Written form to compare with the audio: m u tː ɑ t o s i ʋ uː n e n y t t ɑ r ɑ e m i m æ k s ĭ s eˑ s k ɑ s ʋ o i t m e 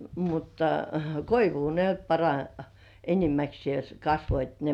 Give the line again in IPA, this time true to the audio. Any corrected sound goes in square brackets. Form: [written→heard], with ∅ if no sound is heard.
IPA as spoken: m u tː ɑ [t→k] o [s→∅] i ʋ uː n e n y t [t→p] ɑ r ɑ e [m→n] i m æ k s ĭ [s→∅] eˑ s k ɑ s ʋ o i t [m→n] e